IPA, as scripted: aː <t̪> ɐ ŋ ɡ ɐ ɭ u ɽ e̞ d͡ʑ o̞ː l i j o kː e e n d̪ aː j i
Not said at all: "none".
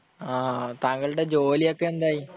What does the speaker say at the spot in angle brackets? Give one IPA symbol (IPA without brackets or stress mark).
t̪